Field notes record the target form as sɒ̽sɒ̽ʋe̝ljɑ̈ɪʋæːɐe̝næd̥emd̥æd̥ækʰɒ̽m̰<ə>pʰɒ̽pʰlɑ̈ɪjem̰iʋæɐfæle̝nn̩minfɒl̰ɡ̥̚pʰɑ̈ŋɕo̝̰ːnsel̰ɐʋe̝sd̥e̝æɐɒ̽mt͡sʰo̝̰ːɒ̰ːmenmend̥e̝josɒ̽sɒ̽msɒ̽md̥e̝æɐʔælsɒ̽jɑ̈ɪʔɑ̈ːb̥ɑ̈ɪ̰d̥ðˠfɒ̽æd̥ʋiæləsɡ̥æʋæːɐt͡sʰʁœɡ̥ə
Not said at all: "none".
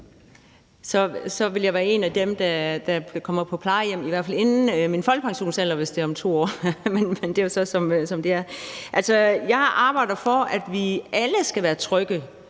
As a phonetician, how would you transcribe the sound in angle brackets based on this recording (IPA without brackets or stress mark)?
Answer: ɐ